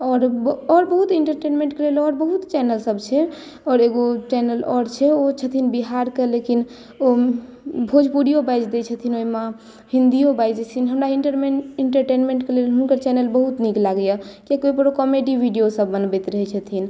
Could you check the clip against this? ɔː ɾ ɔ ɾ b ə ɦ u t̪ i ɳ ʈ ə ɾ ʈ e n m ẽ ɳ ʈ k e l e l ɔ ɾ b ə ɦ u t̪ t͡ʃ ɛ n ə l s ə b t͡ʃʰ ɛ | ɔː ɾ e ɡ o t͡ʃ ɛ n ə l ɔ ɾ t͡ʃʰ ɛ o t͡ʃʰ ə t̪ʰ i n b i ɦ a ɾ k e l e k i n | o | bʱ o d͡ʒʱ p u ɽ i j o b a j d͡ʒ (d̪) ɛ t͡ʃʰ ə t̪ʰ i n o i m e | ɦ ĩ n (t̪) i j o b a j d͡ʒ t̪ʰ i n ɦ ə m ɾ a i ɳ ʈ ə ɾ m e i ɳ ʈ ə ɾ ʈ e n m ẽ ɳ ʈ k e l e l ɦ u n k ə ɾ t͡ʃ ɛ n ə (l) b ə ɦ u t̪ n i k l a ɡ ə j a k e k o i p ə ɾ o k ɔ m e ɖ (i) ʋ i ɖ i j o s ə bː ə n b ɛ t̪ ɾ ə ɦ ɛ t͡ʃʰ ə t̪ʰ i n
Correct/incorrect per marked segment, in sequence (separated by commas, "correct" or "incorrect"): correct, incorrect, correct, correct